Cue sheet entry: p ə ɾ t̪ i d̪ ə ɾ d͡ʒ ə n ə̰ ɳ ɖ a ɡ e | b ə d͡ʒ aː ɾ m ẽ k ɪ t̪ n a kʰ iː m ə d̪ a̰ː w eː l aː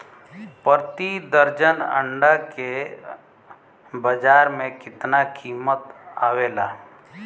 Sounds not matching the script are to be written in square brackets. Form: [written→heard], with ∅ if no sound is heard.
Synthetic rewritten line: p ə ɾ t̪ i d̪ ə ɾ d͡ʒ ə n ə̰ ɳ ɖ a [ɡ→k] e | b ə d͡ʒ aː ɾ m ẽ k ɪ t̪ n a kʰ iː m ə [d̪→t̪] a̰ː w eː l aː